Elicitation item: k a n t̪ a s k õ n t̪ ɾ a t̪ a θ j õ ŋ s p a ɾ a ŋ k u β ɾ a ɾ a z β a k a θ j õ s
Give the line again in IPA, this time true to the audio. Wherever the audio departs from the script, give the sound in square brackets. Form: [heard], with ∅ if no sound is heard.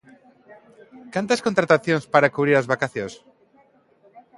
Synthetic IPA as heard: k a n t̪ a s k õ n t̪ ɾ a t̪ a θ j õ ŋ s p a ɾ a [∅] k u β ɾ [i] ɾ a z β a k a θ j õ s